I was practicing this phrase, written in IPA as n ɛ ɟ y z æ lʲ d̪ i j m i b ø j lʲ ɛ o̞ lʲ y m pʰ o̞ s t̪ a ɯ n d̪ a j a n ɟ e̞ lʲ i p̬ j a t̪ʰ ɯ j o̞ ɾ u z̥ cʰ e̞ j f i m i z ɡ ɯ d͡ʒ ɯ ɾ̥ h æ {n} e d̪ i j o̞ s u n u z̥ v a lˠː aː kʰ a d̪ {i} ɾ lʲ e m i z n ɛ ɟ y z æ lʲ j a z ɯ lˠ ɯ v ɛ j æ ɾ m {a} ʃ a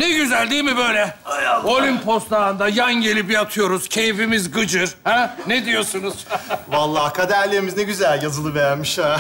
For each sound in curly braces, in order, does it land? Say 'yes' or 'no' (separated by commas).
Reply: yes, no, no